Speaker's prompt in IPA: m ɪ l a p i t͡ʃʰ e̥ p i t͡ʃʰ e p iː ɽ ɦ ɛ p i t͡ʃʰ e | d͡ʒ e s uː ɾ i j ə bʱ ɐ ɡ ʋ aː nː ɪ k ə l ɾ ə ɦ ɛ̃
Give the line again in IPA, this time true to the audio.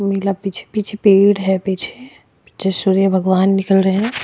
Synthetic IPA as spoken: m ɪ l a p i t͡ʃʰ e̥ p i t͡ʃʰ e p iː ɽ ɦ ɛ p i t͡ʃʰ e | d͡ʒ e s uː ɾ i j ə bʱ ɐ ɡ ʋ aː nː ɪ k ə l ɾ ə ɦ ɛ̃